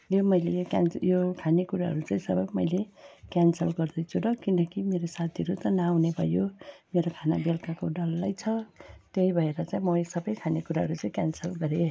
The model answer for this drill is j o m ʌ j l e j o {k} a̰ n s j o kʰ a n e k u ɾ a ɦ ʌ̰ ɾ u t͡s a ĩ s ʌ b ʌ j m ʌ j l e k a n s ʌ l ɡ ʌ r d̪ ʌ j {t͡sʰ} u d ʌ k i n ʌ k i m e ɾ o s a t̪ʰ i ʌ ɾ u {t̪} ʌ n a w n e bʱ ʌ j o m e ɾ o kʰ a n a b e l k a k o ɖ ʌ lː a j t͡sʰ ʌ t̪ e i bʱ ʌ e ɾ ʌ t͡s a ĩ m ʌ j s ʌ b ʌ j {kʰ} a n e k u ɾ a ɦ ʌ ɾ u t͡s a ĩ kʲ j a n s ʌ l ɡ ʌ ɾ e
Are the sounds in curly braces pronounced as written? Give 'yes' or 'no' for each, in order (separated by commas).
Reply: yes, yes, yes, yes